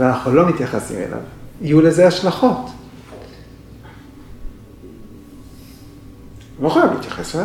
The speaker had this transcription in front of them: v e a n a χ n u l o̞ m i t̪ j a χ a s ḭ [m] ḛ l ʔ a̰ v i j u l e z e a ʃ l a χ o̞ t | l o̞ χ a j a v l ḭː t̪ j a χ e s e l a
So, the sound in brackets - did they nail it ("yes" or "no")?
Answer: yes